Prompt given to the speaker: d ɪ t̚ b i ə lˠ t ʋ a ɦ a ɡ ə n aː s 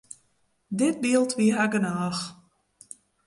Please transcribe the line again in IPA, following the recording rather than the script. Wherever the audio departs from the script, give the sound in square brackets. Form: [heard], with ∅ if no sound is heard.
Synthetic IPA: d ɪ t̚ b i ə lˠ t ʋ [i] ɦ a ɡ ə n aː [x]